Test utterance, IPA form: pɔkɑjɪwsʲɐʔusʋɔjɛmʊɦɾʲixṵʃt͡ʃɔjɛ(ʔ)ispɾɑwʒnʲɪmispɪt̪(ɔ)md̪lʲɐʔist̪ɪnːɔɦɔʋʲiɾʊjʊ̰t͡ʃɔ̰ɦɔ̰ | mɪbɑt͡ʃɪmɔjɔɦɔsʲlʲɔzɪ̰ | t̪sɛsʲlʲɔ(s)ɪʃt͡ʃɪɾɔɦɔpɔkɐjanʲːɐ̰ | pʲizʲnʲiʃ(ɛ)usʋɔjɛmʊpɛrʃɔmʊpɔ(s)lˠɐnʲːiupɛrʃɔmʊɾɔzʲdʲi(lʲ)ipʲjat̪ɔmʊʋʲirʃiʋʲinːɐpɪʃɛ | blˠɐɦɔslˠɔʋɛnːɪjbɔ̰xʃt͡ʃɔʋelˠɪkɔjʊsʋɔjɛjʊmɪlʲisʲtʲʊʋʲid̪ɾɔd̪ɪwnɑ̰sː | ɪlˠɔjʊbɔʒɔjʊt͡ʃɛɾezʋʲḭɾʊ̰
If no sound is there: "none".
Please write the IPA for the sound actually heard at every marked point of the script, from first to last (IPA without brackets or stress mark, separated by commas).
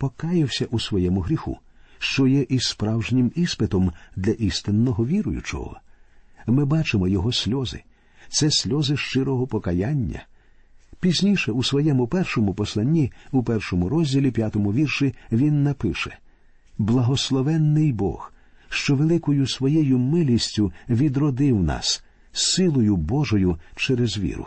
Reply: ʔ, ɔ, z, ɛ, s, lʲ